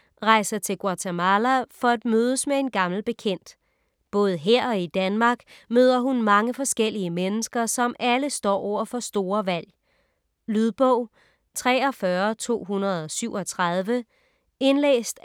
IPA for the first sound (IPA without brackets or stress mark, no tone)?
ʁ